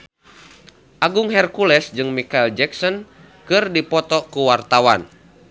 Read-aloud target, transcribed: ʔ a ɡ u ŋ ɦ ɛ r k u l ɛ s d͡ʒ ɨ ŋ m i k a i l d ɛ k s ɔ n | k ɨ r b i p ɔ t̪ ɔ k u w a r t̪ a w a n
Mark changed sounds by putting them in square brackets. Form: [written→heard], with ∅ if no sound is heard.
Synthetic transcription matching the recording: ʔ a ɡ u ŋ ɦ ɛ r k u l ɛ s d͡ʒ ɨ ŋ m i k a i l [d→d͡ʒ] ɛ k s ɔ n | k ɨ r [b→d] i p ɔ t̪ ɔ k u w a r t̪ a w a n